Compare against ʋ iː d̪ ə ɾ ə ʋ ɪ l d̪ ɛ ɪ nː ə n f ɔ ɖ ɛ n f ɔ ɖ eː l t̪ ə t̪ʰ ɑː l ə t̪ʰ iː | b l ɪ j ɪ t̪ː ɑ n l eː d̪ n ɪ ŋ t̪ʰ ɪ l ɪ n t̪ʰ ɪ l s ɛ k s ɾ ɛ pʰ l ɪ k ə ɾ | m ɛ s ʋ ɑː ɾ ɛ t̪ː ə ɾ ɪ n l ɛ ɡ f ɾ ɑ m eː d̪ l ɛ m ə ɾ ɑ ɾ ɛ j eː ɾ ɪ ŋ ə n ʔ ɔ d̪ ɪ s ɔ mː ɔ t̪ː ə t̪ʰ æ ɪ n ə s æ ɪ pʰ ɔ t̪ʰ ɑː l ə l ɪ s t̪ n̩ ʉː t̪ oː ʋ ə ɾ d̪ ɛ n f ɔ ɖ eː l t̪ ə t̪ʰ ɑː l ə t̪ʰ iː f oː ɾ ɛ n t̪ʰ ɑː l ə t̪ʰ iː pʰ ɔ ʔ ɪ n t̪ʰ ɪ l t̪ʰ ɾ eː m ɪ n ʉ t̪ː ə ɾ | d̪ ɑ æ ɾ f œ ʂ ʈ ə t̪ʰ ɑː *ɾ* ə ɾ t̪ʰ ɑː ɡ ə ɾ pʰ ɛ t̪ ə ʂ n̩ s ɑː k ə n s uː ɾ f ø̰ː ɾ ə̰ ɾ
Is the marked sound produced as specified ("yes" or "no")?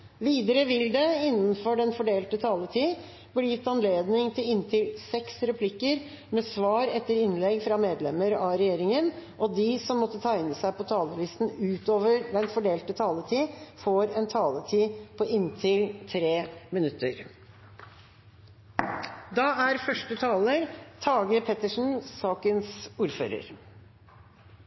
no